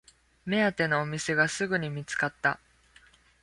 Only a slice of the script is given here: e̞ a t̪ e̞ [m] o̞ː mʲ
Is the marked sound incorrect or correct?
incorrect